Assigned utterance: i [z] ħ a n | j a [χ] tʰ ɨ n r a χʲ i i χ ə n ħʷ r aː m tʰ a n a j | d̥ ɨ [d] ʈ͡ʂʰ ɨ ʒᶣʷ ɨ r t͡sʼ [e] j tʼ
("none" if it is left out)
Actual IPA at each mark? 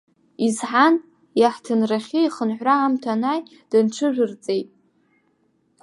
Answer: z, ħ, n, e

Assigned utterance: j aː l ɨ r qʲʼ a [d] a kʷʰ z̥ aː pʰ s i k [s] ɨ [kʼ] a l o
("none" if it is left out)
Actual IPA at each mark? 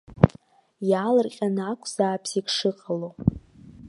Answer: n, ʂ, qʼ

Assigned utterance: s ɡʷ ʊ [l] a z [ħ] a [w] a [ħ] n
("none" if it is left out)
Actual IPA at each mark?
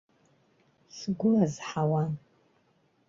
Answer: l, ħ, w, none

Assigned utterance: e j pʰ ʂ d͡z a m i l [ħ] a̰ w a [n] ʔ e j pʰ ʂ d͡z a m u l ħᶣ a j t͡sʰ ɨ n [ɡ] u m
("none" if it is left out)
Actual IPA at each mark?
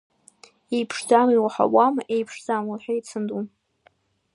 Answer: ħ, m, d

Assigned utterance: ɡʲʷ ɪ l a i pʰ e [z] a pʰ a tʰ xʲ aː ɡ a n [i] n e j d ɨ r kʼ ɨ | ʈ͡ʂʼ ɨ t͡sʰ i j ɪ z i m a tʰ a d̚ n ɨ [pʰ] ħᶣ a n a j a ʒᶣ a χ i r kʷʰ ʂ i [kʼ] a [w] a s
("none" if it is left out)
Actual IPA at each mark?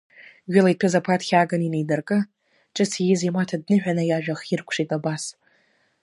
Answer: z, i, none, tʼ, b

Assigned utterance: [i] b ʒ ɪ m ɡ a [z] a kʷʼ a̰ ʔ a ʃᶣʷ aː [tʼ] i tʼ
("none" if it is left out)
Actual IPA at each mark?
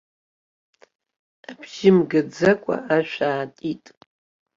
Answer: a, d͡z, tʼ

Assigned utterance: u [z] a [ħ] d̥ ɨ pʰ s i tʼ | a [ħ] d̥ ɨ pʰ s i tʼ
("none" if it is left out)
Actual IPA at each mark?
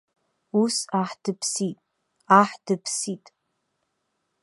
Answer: s, ħ, ħ

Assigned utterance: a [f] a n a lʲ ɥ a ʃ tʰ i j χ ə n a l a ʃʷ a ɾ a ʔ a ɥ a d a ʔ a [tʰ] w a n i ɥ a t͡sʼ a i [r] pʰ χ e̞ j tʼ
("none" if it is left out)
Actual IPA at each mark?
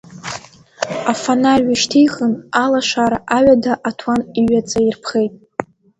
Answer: f, tʰ, r

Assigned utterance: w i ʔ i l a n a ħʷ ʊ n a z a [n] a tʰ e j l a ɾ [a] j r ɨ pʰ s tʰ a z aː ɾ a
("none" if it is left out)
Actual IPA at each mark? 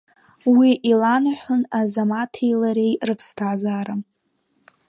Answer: m, e

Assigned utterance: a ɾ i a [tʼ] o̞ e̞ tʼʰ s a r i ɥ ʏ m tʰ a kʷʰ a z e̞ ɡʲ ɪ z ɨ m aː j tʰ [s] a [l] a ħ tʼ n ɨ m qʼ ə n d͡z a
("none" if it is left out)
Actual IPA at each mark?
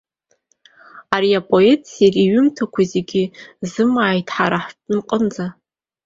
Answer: pʼ, ħ, ɾ

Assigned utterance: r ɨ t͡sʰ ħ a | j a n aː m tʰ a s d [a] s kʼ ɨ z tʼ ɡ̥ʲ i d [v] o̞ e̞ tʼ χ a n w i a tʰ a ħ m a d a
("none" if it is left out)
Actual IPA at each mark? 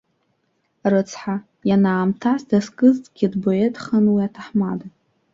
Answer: a, b

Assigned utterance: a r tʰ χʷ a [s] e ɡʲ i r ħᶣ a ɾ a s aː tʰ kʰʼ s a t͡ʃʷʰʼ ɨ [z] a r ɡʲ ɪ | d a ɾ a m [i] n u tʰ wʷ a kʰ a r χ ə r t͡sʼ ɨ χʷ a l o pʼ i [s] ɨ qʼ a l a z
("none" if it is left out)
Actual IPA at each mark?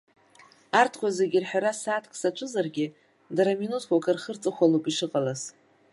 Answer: z, z, i, ʂ

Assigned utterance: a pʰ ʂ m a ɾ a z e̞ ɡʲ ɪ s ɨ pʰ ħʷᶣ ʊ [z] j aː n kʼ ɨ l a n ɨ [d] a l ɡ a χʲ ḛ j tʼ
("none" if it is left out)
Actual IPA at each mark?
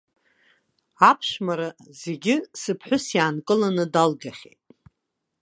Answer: s, d

